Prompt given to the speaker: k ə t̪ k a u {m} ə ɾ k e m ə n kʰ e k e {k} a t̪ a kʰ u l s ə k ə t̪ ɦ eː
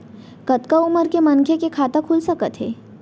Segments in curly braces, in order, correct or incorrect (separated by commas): correct, incorrect